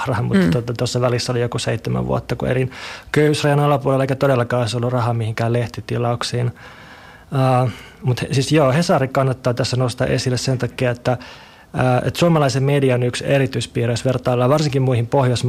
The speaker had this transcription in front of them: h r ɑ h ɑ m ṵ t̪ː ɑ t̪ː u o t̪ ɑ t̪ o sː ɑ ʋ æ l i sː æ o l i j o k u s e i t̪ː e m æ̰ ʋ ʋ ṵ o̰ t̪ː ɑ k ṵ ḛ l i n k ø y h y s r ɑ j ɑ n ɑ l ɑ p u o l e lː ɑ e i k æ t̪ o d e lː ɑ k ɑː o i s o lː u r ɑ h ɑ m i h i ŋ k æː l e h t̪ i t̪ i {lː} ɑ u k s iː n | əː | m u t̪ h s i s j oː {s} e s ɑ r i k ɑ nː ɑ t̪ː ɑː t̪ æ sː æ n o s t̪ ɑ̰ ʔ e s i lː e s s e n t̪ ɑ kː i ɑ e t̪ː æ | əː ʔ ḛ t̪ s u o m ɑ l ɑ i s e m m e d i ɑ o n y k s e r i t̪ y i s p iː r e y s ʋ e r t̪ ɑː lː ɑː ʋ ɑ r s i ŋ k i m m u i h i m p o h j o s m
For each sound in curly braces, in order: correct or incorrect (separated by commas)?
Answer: incorrect, incorrect